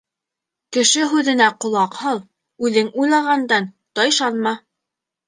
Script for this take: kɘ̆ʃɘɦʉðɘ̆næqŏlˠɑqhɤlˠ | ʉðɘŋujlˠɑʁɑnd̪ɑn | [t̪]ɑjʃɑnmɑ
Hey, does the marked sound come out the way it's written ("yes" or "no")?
yes